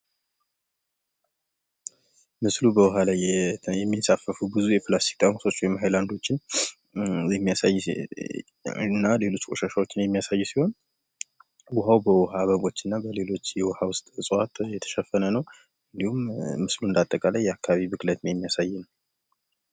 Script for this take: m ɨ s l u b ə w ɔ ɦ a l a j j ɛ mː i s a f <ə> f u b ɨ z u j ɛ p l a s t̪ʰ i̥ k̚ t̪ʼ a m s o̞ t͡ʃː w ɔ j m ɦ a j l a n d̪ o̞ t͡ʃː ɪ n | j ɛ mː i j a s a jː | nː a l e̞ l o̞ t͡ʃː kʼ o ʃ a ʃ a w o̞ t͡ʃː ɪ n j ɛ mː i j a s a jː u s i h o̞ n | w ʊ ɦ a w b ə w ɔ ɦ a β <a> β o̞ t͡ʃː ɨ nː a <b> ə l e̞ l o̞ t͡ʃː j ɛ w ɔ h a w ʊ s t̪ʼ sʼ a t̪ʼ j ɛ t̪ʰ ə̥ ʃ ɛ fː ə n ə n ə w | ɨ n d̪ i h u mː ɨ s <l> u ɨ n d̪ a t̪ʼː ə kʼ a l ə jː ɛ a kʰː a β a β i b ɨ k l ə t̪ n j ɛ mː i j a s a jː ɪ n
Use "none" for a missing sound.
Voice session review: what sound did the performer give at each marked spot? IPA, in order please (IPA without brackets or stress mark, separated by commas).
ə, ə, b, l